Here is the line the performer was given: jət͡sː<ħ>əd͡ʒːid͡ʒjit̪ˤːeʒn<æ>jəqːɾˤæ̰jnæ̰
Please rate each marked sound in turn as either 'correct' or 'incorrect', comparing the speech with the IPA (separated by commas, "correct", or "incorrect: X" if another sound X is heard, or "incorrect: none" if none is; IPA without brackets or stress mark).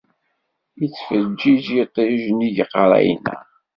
incorrect: f, incorrect: i